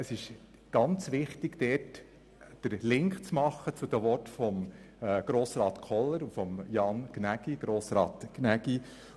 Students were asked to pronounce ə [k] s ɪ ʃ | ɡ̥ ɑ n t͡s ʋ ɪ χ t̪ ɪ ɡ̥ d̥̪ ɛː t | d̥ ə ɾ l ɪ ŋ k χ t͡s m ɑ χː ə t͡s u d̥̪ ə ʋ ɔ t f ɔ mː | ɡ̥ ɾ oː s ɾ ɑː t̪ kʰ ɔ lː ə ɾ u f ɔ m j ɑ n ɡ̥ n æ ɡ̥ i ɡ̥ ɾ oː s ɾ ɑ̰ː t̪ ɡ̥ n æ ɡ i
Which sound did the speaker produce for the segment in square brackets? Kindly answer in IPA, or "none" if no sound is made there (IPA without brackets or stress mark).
none